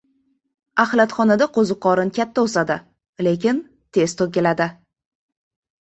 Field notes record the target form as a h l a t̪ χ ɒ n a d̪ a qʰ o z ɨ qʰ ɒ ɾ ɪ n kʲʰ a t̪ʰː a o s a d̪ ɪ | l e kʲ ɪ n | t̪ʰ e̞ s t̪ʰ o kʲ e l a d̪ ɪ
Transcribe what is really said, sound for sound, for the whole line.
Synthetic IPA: a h l a t̪ χ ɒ n a d̪ a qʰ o z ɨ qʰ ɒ ɾ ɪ n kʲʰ a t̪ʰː a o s a d̪ ɪ | l e kʲ ɪ n | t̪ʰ e̞ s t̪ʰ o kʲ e l a d̪ ɪ

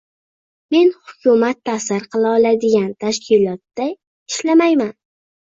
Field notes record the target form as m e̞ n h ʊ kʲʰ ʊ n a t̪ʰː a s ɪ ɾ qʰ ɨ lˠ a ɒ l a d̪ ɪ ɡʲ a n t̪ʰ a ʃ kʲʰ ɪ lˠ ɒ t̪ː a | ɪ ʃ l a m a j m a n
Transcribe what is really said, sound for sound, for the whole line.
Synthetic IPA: m e̞ n h ʊ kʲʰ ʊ m a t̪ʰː a s ɪ ɾ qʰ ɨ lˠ a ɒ l a d̪ ɪ ɡʲ a n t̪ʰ a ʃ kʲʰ ɪ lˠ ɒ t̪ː a | ɪ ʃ l a m a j m a n

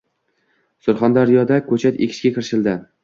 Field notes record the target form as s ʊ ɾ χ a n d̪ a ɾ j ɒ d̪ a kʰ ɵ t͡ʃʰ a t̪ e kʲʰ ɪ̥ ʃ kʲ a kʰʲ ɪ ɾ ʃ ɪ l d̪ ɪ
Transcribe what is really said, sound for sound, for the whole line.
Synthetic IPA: s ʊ ɾ χ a n d̪ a ɾ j ɒ d̪ a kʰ ɵ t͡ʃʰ a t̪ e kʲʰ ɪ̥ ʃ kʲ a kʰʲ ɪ ɾ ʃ ɪ l d̪ ɪ

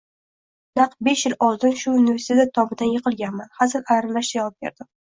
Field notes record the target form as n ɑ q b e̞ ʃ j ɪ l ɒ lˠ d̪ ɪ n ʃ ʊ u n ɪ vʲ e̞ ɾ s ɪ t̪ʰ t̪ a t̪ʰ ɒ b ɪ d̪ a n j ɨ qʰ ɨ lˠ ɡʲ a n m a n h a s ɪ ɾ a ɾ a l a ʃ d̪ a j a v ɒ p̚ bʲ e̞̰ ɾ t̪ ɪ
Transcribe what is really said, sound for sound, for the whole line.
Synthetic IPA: n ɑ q b e̞ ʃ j ɪ l ɒ lˠ d̪ ɪ n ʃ ʊ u n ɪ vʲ e̞ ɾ s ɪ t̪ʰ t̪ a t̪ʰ ɒ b ɪ d̪ a n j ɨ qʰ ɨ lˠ ɡʲ a n m a n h a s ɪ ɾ a ɾ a l a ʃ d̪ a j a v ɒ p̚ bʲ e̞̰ ɾ d̪ ɪ

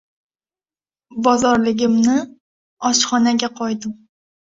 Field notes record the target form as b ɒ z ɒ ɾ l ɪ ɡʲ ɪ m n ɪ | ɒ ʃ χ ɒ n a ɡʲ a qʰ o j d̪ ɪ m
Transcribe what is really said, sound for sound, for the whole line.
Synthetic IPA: b ɒ z ɒ ɾ l ɪ ɡʲ ɪ m n ɪ | ɒ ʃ χ ɒ n a ɡʲ a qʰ ɒ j d̪ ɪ m

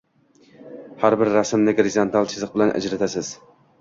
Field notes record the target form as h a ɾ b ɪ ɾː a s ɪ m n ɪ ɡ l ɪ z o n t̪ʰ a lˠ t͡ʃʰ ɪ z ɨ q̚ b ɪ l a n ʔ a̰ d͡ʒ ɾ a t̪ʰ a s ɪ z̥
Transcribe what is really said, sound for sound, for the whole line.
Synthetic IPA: h a ɾ b ɪ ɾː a s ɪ m n ɪ ɡ ɾ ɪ z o n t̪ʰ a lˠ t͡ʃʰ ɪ z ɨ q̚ b ɪ l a n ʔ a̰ d͡ʒ ɾ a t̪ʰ a s ɪ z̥

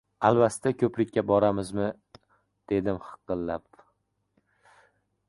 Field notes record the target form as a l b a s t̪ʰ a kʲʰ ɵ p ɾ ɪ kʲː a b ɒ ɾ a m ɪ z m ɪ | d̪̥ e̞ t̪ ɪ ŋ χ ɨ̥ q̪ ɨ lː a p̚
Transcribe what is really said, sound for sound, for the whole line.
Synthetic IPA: a l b a s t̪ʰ a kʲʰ ɵ p ɾ ɪ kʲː a b ɒ ɾ a m ɪ z m ɪ | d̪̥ e̞ d̪ ɪ m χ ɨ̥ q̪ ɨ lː a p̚

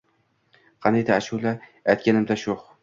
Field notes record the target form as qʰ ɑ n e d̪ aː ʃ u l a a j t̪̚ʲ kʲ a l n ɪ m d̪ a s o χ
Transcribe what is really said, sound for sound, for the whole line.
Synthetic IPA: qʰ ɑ n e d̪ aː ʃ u l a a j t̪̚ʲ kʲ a n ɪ m d̪ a ʃ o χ

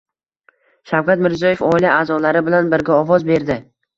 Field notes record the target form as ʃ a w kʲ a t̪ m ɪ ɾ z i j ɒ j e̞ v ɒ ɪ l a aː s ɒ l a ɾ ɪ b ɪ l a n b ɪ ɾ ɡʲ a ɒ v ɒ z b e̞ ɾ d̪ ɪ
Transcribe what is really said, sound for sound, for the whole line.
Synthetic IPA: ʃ a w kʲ a t̪ m ɪ ɾ z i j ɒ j e̞ f ɒ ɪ l a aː z ɒ l a ɾ ɪ b ɪ l a n b ɪ ɾ ɡʲ a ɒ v ɒ z b e̞ ɾ d̪ ɪ

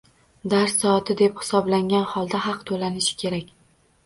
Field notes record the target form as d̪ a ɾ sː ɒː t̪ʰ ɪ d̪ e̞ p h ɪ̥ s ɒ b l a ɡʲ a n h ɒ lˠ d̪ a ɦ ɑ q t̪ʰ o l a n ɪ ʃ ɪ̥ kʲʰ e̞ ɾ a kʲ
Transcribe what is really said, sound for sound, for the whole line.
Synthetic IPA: d̪ a ɾ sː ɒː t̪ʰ ɪ d̪ e̞ p h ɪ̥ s ɒ b l a ŋʲ a n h ɒ lˠ d̪ a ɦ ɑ q t̪ʰ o l a n ɪ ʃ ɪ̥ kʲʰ e̞ ɾ a kʲ

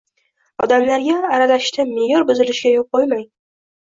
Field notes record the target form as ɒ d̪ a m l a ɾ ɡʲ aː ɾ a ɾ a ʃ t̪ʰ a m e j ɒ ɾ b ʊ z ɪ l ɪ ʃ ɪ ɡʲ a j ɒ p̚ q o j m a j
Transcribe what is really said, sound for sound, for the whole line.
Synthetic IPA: ɒ d̪ a m l a ɾ ɡʲ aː ɾ a l a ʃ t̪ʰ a m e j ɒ ɾ b ʊ z ɪ l ɪ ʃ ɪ ɡʲ a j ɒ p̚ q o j m a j

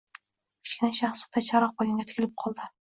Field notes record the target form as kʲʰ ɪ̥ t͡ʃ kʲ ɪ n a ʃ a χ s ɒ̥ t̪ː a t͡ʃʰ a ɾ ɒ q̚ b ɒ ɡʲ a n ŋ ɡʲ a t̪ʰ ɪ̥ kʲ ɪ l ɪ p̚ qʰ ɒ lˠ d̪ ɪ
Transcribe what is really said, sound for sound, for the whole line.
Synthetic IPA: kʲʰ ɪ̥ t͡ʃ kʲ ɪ n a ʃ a χ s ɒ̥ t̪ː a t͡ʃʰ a ɾ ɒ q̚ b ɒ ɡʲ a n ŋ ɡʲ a t̪ʰ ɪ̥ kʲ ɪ l ɪ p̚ qʰ ɒ lˠ d̪ ɪ

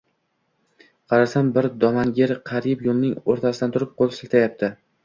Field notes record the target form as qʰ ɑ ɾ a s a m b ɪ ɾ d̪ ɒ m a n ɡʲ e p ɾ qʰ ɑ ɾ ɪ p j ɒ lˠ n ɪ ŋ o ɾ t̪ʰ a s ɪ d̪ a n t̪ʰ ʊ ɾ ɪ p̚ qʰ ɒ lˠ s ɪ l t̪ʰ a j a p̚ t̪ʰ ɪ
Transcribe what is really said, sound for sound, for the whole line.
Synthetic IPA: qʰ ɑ ɾ a s a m b ɪ ɾ d̪ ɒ m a n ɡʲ e ɾ qʰ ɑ ɾ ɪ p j o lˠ n ɪ ŋ o ɾ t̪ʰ a s ɪ d̪ a n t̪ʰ ʊ ɾ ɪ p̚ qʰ o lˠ s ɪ l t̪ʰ a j a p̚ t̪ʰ ɪ

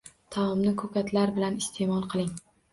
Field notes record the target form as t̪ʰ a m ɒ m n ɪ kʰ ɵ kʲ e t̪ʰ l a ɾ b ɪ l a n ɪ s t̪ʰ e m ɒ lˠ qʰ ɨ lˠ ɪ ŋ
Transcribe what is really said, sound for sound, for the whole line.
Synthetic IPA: t̪ʰ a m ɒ m n ɪ kʰ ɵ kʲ a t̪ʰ l a ɾ b ɪ l a n ɪ s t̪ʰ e m ɒ lˠ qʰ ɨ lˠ ɪ ŋ

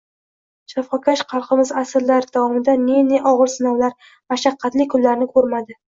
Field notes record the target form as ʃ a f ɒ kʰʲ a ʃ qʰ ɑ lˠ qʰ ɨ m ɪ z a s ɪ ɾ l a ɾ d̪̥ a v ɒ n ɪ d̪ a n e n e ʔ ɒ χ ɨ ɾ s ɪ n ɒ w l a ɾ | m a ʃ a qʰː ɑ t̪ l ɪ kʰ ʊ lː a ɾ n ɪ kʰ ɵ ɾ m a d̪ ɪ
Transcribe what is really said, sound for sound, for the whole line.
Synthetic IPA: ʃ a f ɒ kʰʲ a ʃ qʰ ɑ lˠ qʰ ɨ m ɪ z a s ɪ ɾ l a ɾ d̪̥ a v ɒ m ɪ d̪ a n e n e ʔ ɒ ʁ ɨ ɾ s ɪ n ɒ w l a ɾ | m a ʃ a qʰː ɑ t̪ l ɪ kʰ ʊ lː a ɾ n ɪ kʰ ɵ ɾ m a d̪ ɪ

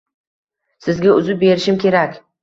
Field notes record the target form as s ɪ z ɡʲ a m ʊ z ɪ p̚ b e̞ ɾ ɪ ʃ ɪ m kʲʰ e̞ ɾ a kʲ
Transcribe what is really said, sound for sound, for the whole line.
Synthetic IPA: s ɪ z ɡʲ a ʊ z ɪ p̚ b e̞ ɾ ɪ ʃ ɪ m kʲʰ e̞ ɾ a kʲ

